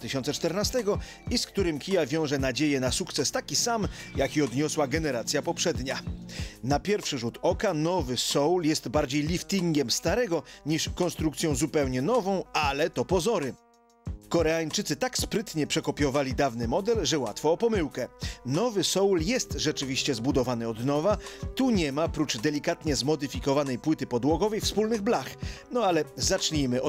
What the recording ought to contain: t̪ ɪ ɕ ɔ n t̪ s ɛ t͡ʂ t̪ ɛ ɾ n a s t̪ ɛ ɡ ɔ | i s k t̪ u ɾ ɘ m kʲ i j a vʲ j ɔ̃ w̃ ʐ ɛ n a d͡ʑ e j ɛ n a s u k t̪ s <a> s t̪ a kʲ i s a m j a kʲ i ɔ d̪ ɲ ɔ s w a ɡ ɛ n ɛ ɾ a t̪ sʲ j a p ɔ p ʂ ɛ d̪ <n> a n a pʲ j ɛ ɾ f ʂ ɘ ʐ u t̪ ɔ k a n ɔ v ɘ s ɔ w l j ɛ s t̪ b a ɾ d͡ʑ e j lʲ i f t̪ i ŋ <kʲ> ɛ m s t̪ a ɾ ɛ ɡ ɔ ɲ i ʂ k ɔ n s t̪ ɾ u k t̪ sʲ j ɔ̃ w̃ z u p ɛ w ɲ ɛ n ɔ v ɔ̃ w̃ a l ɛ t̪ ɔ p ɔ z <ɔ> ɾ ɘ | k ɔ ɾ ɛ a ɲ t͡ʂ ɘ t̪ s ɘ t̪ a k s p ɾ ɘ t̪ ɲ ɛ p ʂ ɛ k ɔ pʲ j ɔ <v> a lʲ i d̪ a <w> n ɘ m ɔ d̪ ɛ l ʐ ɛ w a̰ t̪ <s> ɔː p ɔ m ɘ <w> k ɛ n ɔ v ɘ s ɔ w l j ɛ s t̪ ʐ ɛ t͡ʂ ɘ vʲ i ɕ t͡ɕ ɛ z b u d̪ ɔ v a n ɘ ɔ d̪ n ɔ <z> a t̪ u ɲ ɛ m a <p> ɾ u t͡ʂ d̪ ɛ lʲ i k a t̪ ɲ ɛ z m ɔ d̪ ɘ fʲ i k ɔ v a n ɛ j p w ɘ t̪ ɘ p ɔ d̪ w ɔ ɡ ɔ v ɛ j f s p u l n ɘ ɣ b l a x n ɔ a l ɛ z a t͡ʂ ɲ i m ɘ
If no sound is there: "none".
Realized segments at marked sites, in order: ɛ, ɲ, ɡʲ, ɔ, v, v, f, w, v, p

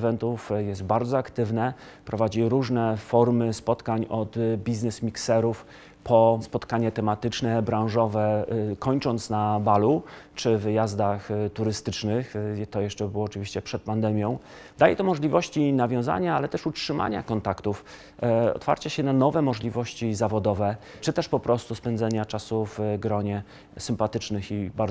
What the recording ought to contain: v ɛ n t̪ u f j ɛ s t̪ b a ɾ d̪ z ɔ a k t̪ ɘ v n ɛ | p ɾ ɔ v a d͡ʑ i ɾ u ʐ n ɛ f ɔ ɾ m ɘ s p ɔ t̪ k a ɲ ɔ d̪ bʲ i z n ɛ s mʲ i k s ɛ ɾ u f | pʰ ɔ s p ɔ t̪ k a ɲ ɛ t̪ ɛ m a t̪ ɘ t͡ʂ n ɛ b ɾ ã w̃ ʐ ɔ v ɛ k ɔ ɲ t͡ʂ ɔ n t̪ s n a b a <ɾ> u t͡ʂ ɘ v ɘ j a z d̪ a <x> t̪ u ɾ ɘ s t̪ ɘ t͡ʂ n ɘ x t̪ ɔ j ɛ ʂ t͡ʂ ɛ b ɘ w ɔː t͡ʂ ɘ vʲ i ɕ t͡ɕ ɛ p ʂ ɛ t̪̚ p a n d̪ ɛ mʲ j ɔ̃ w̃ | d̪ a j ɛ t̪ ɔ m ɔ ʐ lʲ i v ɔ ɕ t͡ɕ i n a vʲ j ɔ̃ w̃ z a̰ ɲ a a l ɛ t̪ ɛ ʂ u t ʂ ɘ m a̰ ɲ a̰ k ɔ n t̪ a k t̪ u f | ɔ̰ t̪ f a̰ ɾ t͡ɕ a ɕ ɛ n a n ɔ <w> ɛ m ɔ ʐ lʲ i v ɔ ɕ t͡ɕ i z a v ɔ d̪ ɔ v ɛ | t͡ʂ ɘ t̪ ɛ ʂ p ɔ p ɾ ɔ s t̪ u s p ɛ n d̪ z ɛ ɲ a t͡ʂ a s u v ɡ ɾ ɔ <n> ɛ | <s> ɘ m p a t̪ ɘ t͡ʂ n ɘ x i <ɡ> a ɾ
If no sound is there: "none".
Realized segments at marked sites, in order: l, x, v, ɲ, s, b

